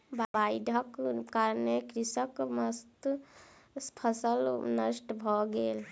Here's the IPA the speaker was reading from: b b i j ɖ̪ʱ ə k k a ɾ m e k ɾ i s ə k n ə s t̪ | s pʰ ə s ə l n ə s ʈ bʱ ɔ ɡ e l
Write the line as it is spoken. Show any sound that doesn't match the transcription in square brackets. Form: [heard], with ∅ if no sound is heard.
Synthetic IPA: b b [a] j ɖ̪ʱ ə k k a ɾ [n] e k ɾ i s ə k [m] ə s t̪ | s pʰ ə s ə l n ə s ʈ bʱ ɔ ɡ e l